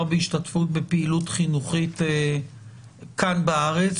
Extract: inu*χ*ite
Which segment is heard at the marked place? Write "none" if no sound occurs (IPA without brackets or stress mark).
χ